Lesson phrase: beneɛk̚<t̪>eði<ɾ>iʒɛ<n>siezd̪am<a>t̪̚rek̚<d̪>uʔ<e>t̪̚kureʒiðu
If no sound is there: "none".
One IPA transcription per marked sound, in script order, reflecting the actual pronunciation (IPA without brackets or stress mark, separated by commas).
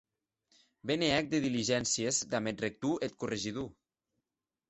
d̪, l, n, e, t̪, e